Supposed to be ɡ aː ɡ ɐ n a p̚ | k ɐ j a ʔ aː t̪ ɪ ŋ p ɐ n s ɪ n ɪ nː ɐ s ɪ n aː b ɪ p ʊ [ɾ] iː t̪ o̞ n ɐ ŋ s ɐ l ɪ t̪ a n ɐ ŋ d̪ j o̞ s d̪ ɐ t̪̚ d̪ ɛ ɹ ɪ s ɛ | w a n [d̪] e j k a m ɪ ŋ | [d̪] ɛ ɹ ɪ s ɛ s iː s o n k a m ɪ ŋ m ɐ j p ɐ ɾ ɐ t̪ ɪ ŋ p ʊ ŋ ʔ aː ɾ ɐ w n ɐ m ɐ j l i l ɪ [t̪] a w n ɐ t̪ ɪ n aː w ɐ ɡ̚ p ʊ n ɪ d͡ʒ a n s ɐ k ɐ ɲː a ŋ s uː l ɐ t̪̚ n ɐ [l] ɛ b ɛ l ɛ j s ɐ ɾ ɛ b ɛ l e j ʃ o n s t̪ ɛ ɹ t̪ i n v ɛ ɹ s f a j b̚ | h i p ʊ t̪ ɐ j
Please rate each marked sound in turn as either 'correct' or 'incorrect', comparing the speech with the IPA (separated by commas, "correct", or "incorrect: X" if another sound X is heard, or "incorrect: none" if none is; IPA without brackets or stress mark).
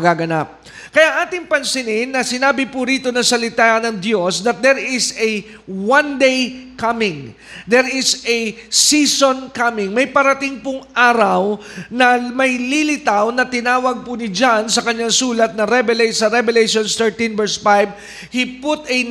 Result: correct, correct, correct, correct, incorrect: ɾ